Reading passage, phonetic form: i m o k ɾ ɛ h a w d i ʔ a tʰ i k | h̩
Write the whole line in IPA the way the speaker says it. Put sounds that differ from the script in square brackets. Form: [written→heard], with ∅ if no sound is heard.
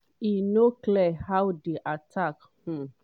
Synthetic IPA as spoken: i [m→n] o k [ɾ→l] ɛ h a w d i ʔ a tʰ [i→a] k | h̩